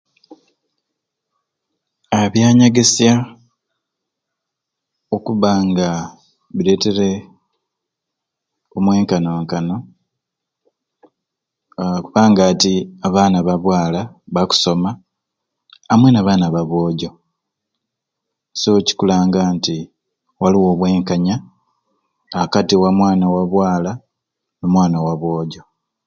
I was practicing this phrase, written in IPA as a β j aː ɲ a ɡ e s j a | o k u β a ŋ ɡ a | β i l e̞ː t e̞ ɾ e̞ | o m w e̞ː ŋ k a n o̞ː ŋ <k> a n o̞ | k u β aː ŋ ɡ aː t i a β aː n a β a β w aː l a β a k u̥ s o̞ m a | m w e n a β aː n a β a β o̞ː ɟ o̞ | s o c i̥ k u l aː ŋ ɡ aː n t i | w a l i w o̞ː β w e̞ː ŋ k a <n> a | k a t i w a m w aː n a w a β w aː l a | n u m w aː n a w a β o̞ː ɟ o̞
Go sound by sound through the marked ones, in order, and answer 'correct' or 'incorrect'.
correct, incorrect: ɲ

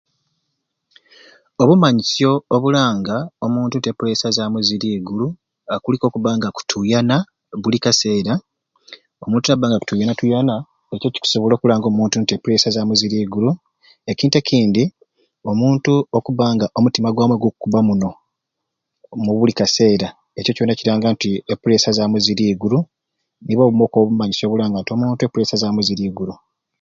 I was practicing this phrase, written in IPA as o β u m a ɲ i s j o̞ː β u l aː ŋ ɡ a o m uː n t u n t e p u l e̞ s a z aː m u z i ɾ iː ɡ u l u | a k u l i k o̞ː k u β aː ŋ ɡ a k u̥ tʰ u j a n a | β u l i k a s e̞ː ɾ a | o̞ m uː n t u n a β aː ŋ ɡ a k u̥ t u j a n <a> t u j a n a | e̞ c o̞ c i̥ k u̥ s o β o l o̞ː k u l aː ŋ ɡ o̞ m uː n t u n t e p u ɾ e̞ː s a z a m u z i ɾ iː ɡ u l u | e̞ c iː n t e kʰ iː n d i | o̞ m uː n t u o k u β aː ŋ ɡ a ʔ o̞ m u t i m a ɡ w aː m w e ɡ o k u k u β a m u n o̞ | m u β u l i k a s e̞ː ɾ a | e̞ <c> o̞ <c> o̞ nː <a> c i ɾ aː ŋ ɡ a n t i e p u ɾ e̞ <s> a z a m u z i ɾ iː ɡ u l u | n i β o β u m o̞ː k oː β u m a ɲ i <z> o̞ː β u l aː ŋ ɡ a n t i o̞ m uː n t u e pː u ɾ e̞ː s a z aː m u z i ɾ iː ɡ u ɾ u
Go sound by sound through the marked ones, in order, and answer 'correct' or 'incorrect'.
correct, correct, correct, correct, correct, incorrect: s

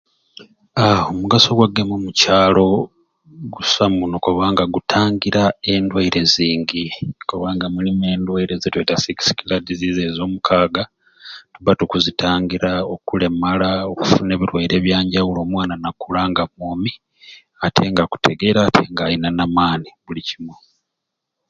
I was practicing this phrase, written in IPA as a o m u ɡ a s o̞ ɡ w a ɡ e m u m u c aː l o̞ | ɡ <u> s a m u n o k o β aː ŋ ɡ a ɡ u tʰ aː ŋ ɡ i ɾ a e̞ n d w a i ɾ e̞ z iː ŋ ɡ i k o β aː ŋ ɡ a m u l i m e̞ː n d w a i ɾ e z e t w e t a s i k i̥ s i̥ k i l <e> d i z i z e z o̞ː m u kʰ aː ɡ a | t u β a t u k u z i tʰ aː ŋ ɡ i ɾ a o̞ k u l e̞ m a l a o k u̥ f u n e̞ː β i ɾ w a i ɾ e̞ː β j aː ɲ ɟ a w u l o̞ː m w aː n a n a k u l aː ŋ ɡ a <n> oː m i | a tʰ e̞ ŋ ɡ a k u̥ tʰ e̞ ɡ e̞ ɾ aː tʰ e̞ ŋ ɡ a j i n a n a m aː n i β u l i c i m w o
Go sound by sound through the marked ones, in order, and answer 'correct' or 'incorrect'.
correct, incorrect: a, incorrect: m

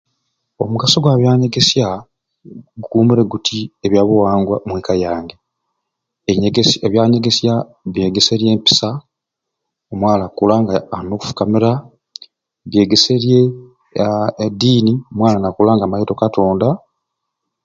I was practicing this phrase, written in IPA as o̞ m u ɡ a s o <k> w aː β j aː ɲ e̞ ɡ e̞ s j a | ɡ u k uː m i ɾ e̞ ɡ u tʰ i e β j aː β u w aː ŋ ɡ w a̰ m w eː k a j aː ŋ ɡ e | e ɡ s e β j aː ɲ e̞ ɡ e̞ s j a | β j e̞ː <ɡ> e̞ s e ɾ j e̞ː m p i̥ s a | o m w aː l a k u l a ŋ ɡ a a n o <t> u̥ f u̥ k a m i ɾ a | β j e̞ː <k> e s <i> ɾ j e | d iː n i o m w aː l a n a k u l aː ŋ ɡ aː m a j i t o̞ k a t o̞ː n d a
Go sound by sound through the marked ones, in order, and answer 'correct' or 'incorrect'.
incorrect: ɡ, correct, incorrect: k, incorrect: ɡ, incorrect: e

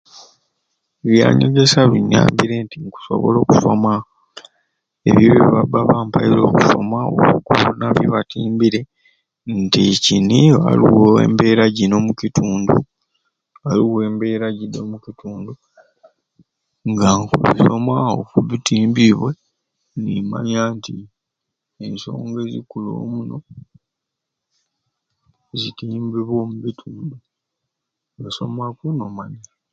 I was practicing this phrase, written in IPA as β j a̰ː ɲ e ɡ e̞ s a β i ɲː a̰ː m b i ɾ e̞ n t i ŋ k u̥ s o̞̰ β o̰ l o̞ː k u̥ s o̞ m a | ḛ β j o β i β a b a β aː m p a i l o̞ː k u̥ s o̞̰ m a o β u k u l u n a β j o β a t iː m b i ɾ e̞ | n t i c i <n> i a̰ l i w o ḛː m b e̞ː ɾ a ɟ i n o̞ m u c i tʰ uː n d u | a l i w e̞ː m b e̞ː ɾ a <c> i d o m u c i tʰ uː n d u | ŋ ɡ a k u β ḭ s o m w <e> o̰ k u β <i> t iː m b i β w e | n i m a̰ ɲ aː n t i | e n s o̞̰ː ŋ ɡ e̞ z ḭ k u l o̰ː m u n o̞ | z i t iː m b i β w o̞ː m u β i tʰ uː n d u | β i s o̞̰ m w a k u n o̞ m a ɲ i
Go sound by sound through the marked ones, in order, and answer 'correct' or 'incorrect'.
correct, incorrect: ɟ, incorrect: a, correct

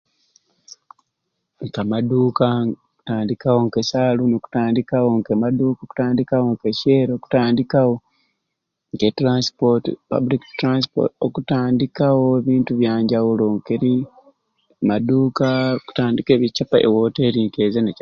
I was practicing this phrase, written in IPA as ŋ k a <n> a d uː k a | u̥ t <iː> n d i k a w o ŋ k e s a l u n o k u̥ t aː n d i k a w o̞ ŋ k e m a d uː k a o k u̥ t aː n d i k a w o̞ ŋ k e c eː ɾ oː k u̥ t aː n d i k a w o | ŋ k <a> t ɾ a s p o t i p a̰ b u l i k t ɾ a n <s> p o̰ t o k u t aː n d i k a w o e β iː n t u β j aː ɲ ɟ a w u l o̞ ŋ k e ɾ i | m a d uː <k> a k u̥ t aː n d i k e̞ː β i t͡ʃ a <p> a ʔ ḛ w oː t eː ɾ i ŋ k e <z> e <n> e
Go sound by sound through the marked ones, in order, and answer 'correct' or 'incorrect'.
incorrect: m, incorrect: aː, incorrect: e, correct, correct, correct, correct, correct

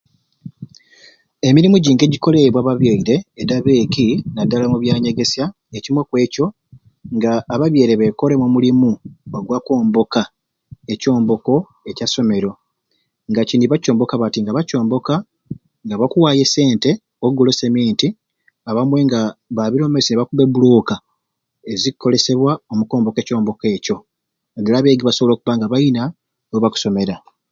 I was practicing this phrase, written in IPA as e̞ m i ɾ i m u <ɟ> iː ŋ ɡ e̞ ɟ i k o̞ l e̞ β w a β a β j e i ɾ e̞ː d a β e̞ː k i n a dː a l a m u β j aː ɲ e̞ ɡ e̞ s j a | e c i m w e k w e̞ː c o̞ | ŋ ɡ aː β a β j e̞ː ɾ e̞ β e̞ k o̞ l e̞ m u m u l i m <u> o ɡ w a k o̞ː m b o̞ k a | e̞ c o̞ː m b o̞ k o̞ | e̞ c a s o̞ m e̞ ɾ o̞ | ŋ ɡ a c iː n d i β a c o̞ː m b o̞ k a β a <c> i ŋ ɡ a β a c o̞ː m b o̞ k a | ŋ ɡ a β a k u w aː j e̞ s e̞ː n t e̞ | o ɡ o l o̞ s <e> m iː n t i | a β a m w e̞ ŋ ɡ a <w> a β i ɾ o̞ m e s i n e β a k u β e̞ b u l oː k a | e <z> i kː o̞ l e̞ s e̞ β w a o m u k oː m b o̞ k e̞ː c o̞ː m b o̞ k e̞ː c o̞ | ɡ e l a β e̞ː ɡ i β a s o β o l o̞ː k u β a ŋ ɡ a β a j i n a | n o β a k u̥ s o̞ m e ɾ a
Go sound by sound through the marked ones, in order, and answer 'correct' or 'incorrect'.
correct, correct, incorrect: t, correct, incorrect: β, correct

